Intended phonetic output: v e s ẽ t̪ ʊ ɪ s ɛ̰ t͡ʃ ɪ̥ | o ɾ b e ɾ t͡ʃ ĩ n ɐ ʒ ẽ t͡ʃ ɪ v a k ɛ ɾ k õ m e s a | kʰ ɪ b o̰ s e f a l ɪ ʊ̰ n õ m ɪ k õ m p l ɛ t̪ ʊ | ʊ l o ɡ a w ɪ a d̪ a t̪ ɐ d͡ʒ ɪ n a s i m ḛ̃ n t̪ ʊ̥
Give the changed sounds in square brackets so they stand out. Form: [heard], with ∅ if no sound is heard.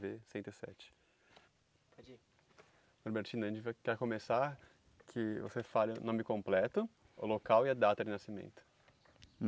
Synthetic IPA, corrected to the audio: v e s ẽ t̪ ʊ ɪ s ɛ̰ t͡ʃ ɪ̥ | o ɾ b e ɾ t͡ʃ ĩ n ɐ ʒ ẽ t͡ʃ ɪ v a k ɛ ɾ k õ m e s a | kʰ ɪ [v] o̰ s e f a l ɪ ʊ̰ n õ m ɪ k õ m p l ɛ t̪ ʊ | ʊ l o [k] a w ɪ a d̪ a t̪ ɐ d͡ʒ ɪ n a s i m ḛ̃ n t̪ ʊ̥